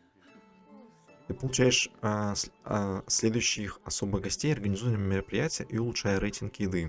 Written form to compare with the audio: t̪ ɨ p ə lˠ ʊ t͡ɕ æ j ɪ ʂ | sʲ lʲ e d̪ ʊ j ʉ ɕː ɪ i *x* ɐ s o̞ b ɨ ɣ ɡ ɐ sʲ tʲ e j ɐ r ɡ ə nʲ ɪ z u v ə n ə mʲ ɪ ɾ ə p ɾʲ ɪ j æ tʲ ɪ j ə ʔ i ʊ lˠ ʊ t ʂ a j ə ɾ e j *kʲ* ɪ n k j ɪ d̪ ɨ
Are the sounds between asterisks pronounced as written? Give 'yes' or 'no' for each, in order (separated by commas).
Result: yes, no